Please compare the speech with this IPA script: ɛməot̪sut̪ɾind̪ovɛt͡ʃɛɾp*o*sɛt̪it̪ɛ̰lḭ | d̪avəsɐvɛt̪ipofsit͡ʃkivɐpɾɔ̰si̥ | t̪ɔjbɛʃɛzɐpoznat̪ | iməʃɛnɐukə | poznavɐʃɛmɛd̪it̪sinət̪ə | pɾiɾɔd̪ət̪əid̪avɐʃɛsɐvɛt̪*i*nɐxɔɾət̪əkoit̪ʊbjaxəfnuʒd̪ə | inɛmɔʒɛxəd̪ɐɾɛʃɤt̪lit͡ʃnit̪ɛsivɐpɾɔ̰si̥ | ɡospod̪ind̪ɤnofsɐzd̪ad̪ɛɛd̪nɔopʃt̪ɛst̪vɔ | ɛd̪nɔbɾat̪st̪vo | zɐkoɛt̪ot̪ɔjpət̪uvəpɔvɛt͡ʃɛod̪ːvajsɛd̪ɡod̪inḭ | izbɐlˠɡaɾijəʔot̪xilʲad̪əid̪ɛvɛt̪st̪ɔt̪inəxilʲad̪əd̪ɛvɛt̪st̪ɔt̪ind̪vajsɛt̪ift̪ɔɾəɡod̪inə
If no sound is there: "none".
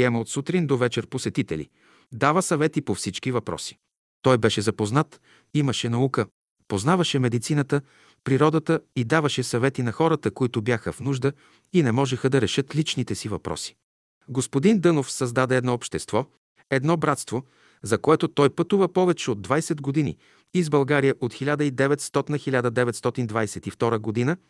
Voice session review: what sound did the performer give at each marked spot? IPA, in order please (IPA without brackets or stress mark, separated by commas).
o, i